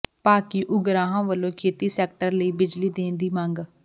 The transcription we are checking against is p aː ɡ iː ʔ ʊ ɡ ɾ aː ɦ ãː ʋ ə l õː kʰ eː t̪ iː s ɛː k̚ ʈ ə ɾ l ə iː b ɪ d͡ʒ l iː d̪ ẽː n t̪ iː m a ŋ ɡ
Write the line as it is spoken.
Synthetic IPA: p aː k iː ʔ ʊ ɡ ɾ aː ɦ ãː ʋ ə l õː kʰ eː t̪ iː s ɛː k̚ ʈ ə ɾ l ə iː b ɪ d͡ʒ l iː d̪ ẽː n d̪ iː m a ŋ ɡ